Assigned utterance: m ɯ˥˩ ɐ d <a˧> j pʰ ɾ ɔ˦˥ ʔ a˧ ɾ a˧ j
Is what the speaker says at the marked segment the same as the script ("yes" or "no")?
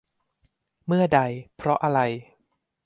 yes